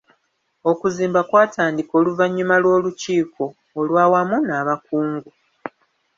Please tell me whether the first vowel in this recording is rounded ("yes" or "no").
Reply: yes